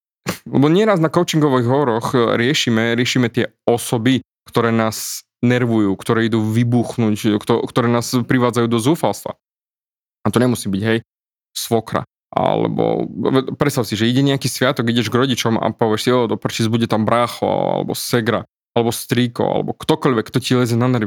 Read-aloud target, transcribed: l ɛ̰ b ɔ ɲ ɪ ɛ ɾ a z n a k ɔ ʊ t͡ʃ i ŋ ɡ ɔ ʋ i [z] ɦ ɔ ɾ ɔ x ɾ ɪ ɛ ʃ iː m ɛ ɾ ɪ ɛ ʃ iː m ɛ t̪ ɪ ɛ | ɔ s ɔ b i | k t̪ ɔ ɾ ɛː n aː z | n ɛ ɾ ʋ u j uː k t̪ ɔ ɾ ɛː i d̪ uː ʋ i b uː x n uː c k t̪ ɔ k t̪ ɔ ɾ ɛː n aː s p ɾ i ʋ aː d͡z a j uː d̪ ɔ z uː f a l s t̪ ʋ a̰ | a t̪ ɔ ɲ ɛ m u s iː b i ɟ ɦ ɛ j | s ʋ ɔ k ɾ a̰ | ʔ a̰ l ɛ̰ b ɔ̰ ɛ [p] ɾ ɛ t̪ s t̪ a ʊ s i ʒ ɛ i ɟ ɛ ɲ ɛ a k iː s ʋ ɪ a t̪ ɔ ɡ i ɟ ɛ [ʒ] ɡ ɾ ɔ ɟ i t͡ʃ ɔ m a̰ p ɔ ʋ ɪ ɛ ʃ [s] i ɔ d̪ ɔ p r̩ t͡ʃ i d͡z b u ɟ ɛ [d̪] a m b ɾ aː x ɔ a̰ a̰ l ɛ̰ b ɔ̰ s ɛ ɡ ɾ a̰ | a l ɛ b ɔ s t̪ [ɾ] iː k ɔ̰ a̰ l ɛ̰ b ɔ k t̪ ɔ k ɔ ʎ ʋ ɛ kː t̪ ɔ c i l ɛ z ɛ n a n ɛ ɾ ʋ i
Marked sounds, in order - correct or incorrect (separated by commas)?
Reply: incorrect, correct, correct, correct, incorrect, correct